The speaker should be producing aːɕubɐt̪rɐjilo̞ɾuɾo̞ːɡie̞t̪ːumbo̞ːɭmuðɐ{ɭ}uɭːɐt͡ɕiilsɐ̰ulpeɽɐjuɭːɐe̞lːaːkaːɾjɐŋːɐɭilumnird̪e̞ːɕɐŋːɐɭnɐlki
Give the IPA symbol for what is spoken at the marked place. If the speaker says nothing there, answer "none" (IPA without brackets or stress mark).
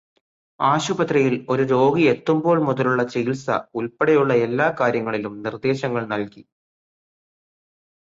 l